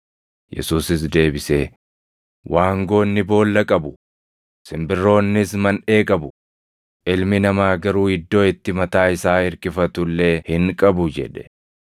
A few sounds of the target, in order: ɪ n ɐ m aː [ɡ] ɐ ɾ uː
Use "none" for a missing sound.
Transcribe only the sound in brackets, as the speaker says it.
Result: ɡ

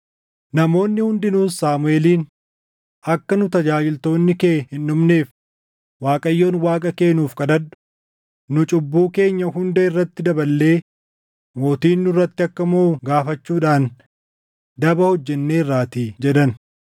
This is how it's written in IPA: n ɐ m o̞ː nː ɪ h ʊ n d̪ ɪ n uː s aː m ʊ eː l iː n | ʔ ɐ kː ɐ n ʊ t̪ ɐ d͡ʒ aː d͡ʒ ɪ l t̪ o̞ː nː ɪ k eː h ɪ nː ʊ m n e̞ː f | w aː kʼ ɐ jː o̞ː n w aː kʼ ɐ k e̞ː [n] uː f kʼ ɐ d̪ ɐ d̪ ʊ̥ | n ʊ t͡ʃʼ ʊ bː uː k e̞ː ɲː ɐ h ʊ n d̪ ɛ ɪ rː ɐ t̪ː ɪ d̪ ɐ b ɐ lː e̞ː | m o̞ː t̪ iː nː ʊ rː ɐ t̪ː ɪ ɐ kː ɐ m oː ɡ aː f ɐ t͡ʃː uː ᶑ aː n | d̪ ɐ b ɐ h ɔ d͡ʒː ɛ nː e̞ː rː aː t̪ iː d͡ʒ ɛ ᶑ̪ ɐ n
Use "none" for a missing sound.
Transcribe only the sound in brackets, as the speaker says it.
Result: n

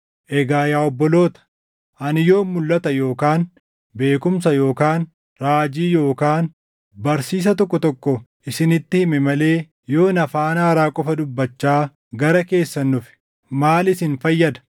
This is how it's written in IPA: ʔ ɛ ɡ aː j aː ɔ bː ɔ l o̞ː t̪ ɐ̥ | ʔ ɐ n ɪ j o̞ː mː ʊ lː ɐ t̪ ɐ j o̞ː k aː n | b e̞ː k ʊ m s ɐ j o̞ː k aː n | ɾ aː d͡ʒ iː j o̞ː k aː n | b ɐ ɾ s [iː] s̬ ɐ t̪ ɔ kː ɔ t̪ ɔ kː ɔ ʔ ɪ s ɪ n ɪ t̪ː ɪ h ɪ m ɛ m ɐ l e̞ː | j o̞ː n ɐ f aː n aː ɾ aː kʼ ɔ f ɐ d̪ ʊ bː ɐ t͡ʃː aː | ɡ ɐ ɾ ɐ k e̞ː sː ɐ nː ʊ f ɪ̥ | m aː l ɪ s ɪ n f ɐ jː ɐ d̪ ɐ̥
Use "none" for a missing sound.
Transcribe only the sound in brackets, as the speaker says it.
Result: iː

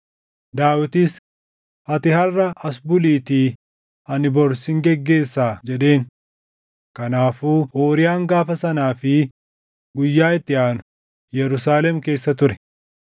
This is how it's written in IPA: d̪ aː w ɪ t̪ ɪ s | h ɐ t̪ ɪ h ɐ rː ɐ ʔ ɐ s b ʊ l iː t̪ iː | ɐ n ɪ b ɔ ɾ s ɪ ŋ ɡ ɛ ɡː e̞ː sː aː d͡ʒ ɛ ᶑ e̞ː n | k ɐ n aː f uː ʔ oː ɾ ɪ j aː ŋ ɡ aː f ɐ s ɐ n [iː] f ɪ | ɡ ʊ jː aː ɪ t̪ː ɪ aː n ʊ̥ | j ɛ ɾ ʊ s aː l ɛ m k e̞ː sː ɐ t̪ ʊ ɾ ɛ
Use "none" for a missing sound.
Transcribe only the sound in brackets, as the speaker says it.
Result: aː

